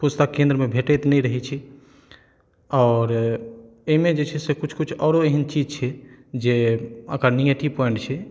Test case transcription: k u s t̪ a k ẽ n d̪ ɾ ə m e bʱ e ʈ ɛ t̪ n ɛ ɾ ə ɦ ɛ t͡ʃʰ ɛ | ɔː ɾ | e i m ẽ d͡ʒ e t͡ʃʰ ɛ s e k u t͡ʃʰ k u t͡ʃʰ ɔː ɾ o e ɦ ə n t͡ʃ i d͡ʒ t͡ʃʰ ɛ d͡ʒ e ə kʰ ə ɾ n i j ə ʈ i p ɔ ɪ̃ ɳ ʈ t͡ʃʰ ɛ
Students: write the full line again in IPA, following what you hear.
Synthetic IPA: p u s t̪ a k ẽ n d̪ ɾ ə m e bʱ e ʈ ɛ t̪ n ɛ ɾ ə ɦ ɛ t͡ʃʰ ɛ | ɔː ɾ | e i m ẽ d͡ʒ e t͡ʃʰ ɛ s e k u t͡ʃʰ k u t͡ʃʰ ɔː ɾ o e ɦ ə n t͡ʃ i d͡ʒ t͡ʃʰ ɛ d͡ʒ e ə k ə ɾ n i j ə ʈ i p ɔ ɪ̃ ɳ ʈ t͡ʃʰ ɛ